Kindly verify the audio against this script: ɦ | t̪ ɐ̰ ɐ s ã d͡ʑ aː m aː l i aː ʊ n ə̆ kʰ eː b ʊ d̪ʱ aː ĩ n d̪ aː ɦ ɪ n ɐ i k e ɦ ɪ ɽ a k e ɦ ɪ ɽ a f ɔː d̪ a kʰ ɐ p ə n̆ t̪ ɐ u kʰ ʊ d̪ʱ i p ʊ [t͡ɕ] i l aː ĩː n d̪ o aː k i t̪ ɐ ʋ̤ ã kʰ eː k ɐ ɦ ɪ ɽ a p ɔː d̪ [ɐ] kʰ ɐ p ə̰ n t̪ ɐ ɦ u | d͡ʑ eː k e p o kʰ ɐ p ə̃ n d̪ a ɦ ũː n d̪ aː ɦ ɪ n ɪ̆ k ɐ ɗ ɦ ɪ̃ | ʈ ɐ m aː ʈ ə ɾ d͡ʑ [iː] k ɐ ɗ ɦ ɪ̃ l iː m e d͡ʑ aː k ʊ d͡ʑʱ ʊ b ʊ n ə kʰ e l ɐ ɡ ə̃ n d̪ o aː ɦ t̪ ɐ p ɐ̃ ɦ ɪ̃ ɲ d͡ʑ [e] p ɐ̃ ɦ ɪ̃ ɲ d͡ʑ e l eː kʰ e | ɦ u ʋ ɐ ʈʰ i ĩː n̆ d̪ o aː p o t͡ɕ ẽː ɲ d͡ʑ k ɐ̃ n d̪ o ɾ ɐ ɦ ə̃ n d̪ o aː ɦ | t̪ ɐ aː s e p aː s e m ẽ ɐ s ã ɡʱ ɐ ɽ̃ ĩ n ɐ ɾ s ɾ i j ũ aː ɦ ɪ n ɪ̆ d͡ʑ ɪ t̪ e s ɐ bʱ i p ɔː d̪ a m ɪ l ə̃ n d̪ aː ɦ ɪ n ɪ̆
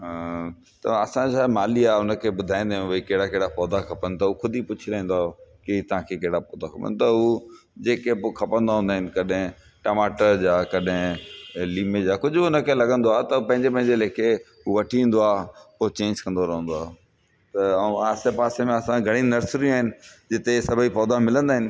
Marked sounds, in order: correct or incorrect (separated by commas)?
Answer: incorrect, incorrect, incorrect, correct